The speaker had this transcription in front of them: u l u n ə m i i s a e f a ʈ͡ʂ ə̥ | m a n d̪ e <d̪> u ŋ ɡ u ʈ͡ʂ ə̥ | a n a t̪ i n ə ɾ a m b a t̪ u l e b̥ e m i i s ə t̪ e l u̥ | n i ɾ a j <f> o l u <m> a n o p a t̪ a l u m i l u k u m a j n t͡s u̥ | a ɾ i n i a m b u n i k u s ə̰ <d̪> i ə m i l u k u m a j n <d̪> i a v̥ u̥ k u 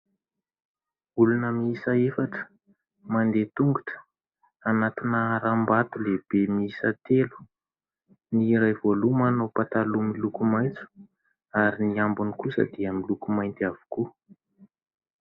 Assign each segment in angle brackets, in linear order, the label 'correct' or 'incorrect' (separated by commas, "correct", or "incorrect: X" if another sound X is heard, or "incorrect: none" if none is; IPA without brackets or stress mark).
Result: incorrect: t̪, incorrect: v, correct, correct, incorrect: t̪